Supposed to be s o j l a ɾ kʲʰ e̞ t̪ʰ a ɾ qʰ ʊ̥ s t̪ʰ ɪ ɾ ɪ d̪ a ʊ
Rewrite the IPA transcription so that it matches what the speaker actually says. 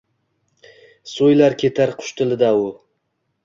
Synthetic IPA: s o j l a ɾ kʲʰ e̞ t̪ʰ a ɾ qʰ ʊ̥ ʃ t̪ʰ ɪ l ɪ d̪ a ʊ